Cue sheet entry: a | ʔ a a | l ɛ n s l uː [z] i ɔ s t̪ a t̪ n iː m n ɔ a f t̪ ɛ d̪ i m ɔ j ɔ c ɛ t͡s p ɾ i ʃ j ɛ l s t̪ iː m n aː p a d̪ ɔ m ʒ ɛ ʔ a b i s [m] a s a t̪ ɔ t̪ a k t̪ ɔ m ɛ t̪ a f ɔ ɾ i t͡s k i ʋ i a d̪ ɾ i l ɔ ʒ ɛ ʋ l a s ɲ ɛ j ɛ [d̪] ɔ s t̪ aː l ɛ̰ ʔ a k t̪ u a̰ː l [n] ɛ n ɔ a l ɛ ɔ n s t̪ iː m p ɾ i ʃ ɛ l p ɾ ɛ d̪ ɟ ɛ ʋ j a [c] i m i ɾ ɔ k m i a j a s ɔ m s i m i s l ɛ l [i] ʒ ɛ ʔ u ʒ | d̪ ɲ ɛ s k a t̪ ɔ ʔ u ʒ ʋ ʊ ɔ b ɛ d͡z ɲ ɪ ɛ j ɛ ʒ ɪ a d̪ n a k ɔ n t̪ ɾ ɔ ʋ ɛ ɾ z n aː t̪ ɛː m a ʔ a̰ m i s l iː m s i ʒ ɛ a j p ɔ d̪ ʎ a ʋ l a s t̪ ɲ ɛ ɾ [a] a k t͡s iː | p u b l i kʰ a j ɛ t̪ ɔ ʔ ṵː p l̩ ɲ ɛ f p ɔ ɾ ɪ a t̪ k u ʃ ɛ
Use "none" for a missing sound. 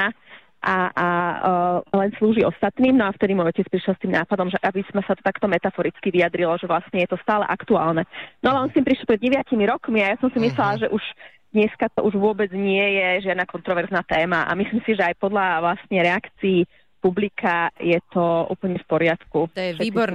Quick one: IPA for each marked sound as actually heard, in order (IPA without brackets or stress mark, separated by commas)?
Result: ʒ, m, t̪, n, c, a, ɛ